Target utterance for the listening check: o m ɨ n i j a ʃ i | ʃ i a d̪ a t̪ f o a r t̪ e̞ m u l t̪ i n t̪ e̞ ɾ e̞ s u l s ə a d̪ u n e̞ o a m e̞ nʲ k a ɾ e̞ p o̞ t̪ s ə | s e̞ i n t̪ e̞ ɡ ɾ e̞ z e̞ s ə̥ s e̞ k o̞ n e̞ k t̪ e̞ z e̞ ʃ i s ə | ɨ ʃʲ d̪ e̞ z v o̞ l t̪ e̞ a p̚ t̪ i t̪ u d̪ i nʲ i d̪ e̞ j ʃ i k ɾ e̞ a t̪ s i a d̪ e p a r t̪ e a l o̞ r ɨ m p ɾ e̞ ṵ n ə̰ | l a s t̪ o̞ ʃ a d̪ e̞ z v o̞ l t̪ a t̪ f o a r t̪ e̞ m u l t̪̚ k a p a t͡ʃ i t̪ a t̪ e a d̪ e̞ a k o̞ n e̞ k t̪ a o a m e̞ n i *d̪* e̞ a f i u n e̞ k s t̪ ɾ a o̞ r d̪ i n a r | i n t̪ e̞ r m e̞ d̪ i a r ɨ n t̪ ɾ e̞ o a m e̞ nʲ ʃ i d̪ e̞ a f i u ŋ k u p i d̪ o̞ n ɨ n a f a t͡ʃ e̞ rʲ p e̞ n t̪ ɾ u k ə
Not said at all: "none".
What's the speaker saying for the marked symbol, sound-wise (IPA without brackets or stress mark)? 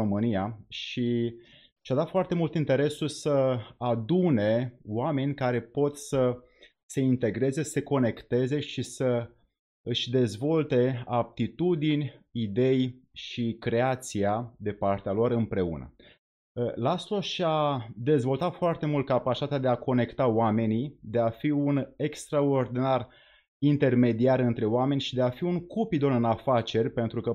d̪